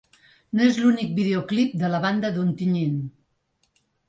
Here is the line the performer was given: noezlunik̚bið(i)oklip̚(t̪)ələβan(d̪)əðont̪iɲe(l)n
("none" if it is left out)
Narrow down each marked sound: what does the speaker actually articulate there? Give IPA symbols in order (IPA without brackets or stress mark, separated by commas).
e, d̪, d̪, none